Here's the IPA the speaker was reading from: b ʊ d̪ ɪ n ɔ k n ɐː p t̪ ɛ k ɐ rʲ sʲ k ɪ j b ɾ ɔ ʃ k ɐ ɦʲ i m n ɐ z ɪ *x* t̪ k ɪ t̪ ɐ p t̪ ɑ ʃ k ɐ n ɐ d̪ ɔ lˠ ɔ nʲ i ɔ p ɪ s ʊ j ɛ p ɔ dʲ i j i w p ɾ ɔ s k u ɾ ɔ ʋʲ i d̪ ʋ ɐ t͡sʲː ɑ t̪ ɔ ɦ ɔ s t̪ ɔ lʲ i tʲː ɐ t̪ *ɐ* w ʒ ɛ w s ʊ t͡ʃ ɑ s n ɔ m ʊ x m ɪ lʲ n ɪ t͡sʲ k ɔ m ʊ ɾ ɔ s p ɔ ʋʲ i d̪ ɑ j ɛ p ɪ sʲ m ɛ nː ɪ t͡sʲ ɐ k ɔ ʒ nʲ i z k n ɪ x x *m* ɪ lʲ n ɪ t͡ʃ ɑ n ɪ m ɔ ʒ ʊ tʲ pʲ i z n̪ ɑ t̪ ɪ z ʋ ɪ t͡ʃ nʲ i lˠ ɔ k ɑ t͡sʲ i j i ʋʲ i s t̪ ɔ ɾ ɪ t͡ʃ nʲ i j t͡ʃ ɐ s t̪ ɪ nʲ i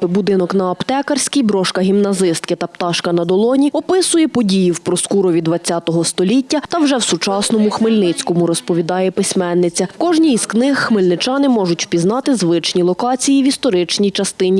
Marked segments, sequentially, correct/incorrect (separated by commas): incorrect, correct, correct